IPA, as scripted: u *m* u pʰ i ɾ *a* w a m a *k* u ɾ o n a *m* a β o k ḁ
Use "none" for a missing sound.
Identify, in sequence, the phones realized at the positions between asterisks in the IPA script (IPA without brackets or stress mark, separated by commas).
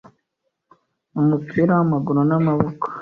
m, a, ɡ, m